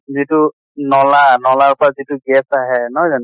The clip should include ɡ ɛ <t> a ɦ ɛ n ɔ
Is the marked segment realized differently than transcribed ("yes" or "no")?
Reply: yes